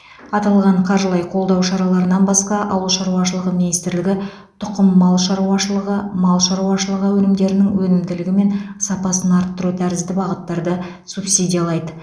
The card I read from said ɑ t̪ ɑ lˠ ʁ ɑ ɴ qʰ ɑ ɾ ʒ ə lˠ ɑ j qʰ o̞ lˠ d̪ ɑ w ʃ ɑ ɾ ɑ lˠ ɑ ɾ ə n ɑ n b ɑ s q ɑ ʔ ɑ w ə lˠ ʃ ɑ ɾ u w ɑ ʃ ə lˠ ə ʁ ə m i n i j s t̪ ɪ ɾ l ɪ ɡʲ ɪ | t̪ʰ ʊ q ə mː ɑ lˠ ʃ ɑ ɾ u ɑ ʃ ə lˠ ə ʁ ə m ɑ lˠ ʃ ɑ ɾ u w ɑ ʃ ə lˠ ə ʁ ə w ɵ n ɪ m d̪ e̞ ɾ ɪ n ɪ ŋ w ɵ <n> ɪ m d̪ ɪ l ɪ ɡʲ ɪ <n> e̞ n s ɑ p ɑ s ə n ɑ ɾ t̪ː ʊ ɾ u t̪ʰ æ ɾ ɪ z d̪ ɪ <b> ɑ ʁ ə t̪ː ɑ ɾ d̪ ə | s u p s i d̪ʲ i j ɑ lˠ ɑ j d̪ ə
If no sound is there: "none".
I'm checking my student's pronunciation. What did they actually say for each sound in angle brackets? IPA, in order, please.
n, m, b

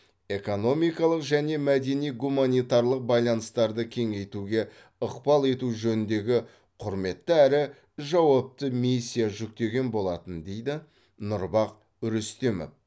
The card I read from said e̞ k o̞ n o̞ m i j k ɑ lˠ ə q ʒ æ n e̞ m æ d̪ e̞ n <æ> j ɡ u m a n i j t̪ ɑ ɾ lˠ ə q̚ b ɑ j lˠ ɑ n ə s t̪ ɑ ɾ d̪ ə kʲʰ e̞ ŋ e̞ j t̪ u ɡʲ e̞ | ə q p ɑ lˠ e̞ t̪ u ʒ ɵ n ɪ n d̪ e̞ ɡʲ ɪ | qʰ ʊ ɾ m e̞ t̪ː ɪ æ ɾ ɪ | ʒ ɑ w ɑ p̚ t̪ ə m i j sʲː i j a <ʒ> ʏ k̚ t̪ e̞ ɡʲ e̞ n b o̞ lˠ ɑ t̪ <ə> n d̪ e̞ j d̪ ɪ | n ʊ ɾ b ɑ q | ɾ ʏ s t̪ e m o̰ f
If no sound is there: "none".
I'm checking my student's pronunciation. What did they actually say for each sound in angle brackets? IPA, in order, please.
i, ʒ, ə

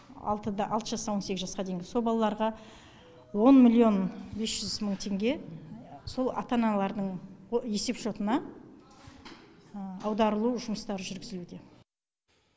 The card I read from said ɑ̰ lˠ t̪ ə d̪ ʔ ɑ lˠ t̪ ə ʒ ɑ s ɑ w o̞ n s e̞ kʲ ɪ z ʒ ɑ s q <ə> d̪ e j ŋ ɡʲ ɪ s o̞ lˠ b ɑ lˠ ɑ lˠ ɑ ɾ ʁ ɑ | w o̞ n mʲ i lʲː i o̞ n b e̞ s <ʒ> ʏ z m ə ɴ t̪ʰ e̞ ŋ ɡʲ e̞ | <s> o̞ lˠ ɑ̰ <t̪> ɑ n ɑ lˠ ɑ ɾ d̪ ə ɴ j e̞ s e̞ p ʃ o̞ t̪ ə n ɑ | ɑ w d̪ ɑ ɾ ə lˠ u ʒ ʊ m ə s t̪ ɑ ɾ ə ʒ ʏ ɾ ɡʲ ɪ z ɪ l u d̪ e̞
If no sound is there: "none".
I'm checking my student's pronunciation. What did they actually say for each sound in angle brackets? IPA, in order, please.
ɑ, ʒ, s, t̪

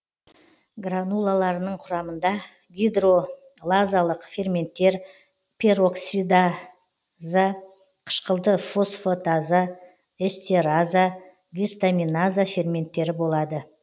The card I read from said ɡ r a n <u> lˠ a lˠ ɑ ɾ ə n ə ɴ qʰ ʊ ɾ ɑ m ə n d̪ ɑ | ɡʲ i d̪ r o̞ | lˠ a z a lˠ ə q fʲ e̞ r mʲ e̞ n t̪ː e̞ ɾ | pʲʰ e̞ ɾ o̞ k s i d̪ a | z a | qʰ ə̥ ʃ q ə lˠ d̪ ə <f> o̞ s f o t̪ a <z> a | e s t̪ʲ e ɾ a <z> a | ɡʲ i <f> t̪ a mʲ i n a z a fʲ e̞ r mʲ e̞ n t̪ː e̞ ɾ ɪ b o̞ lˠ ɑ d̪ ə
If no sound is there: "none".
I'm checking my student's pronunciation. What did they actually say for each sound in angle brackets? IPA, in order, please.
u, f, z, z, s

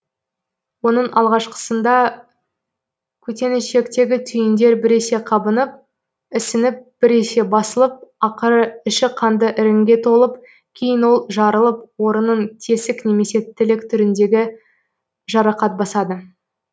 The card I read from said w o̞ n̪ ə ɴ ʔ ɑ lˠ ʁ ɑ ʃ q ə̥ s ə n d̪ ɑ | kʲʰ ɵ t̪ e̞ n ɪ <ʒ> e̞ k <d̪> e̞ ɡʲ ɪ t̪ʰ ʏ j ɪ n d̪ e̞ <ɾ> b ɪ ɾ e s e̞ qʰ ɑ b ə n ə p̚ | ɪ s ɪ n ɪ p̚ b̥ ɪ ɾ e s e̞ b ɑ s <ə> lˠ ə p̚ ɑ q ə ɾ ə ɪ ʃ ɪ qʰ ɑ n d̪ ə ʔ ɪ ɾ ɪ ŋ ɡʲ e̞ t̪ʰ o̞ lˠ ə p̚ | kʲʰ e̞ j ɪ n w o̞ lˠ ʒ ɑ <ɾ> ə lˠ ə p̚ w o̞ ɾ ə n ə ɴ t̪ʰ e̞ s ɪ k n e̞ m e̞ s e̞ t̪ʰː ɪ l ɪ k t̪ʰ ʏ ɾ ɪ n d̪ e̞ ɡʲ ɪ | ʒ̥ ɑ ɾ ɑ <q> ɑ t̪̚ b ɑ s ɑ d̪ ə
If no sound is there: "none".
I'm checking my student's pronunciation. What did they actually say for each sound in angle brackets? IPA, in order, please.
ʃ, t̪, ɾ, ə, ɾ, q

